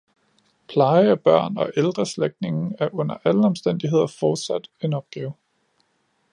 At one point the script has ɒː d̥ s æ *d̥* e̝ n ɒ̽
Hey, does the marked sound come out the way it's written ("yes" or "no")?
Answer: yes